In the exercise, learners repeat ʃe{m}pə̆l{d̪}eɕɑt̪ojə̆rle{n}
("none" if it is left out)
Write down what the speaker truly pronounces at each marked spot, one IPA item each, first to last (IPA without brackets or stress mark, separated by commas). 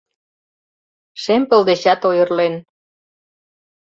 m, d̪, n